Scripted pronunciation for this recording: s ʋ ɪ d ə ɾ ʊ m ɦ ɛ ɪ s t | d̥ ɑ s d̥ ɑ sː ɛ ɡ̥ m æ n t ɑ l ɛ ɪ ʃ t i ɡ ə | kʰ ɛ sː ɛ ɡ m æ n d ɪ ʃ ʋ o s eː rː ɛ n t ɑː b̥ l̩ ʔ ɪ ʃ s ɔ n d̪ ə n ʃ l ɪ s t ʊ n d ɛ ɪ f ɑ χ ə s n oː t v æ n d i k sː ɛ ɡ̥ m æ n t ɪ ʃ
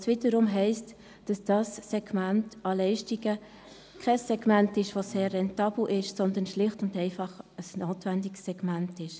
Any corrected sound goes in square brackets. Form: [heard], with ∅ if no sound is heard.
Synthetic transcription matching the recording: s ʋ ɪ d ə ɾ ʊ m ɦ ɛ ɪ s t | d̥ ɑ s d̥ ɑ sː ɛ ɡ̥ m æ n t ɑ l ɛ ɪ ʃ t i ɡ ə | kʰ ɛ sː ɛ ɡ m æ n [t] ɪ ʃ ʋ o s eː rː ɛ n t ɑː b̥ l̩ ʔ ɪ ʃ s ɔ n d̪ ə n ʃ l ɪ [χ] t ʊ n d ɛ ɪ f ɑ χ ə s n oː t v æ n d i k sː ɛ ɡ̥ m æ n t ɪ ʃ